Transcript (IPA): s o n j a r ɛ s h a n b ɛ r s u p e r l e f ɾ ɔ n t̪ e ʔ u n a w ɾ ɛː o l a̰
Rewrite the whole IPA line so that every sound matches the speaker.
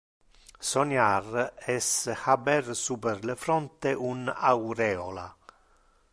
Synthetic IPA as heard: s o n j a r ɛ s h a b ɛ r s u p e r l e f ɾ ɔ n t̪ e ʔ u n a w ɾ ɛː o l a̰